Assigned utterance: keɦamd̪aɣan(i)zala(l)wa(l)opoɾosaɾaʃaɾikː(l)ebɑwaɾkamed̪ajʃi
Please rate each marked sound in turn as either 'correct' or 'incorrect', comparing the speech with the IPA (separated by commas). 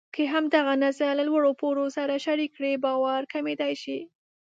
incorrect, correct, incorrect, incorrect